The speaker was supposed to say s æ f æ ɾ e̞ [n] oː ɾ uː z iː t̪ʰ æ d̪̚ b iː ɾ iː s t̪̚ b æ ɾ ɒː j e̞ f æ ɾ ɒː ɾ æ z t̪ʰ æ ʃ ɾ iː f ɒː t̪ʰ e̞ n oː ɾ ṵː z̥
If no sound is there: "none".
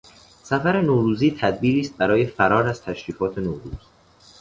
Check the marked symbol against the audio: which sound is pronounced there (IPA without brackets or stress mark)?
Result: n